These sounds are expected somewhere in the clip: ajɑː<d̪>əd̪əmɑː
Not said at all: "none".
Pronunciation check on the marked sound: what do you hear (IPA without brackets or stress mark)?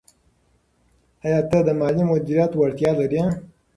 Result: t̪